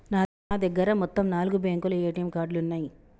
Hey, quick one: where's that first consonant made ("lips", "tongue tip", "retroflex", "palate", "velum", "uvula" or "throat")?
tongue tip